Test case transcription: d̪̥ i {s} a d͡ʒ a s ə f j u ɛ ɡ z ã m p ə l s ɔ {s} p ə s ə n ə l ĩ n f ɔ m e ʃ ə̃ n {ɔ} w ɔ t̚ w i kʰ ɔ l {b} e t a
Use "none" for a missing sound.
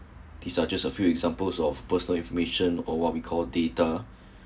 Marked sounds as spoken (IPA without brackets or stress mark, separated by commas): s, f, ɔ, d